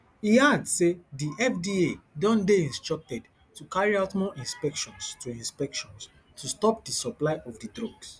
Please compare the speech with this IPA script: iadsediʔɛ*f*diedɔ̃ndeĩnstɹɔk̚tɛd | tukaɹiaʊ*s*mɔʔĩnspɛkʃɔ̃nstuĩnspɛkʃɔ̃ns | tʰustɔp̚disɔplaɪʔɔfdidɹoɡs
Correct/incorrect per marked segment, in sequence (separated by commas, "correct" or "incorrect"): correct, incorrect